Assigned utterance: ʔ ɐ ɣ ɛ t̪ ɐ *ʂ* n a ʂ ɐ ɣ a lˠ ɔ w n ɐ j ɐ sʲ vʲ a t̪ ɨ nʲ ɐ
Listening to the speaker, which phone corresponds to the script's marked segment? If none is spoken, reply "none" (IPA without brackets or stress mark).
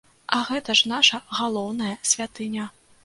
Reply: ʂ